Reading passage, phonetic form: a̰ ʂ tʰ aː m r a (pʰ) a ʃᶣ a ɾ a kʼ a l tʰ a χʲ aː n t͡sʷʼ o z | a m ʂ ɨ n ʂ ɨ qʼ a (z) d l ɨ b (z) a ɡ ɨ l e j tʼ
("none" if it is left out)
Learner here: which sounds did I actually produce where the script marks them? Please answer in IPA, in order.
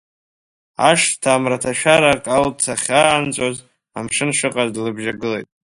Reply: tʰ, z, ʒ

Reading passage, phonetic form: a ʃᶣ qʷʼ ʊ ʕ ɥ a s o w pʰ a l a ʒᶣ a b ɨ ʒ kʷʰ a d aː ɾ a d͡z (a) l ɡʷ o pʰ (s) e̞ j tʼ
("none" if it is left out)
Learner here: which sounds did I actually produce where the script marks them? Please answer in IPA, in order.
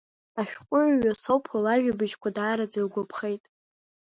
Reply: i, χ

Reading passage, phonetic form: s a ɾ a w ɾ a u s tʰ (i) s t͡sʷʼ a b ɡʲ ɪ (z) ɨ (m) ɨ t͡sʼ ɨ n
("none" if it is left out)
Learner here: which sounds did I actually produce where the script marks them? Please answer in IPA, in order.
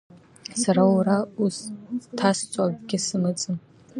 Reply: a, s, m

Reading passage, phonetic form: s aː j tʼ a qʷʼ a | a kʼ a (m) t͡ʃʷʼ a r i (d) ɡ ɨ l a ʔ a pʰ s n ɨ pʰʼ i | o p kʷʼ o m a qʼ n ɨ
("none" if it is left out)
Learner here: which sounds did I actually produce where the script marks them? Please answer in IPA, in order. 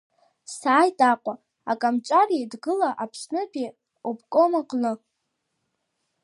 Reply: m, d

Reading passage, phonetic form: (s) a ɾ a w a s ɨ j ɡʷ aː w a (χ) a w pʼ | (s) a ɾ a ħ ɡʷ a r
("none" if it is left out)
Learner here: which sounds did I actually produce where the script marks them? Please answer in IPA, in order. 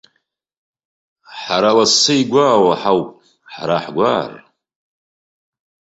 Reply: ħ, ħ, ħ

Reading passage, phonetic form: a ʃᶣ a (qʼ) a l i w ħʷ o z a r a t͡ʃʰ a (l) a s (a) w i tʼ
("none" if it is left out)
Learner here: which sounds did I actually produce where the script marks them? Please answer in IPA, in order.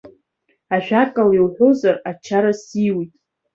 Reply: kʼ, ɾ, i

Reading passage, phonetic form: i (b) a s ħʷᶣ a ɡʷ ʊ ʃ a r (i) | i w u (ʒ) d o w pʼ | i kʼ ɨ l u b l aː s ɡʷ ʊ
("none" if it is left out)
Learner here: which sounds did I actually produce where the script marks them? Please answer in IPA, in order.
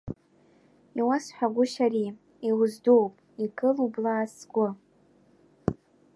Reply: w, i, z

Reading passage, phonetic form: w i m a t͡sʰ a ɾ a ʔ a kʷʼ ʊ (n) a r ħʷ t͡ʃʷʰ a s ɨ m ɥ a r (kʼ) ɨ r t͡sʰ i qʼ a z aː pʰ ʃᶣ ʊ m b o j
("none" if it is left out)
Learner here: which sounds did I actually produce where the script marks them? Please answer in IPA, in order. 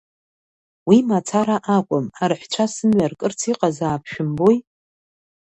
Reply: m, kʼ

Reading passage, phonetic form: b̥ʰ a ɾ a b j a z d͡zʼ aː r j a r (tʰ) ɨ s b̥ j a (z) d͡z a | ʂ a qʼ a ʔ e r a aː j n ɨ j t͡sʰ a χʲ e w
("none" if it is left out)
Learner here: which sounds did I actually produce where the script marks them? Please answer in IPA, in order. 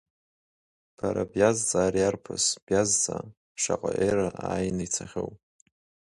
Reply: pʰ, z

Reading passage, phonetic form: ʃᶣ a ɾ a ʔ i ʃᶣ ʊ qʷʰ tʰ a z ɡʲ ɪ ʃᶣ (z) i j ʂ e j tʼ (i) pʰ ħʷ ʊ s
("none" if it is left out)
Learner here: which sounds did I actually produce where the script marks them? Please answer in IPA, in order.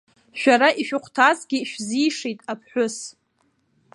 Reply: z, a

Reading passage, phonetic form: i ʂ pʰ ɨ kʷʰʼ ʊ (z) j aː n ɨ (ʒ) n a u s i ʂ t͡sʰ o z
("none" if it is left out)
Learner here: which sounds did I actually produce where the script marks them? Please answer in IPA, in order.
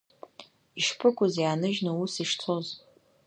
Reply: z, ʒ

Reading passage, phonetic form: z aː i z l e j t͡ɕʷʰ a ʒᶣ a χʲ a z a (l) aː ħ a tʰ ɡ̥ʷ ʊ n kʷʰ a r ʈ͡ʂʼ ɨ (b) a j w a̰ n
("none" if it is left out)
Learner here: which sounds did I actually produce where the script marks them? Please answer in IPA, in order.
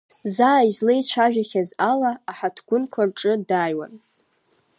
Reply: l, d

